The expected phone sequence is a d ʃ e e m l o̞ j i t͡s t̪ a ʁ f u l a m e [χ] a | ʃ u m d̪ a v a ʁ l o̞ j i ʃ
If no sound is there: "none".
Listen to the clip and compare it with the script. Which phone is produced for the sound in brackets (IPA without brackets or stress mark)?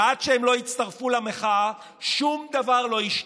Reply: χ